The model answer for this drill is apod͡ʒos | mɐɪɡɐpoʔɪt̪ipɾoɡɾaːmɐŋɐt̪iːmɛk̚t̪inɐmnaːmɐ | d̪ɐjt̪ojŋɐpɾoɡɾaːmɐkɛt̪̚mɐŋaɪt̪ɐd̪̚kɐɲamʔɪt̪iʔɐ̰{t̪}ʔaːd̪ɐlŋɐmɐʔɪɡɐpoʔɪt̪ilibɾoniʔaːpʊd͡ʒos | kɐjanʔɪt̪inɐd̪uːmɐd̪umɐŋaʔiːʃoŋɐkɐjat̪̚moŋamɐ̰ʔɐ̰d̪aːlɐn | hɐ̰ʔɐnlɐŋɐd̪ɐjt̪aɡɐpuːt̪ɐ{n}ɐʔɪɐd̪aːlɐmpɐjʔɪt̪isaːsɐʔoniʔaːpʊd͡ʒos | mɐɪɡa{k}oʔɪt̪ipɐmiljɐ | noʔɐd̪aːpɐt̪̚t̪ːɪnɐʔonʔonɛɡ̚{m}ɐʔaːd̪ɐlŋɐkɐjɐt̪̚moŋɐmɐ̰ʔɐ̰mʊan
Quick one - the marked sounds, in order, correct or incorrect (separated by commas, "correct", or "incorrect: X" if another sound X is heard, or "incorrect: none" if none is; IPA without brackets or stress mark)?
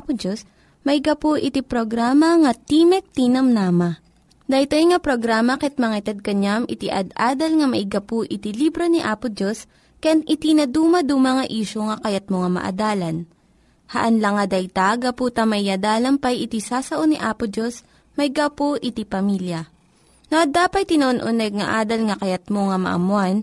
incorrect: d̪, incorrect: m, incorrect: p, incorrect: ŋ